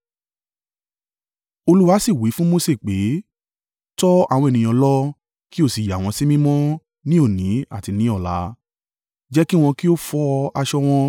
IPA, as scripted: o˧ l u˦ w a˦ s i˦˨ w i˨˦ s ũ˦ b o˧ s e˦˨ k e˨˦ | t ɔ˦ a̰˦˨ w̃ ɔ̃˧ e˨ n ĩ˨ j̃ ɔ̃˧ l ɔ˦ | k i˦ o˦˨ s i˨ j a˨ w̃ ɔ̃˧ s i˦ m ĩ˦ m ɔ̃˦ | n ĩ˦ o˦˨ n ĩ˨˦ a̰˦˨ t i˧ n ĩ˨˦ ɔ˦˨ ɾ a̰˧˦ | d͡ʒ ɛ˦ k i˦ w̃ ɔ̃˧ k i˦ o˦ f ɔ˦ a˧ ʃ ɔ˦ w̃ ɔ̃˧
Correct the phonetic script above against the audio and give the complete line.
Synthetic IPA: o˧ l u˦ w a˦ s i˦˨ w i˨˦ f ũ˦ m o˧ s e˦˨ k͡p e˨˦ | t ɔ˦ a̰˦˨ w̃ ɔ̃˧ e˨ n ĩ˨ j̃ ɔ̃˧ l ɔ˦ | k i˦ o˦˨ s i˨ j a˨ w̃ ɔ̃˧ s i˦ m ĩ˦ m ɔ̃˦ | n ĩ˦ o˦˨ n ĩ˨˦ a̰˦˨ t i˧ n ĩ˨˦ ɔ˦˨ l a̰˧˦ | d͡ʒ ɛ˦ k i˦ w̃ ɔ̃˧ k i˦ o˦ f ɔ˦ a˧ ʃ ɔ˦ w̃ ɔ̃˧